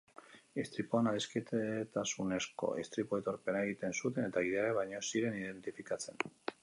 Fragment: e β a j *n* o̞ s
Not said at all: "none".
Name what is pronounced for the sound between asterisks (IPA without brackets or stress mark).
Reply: ɲ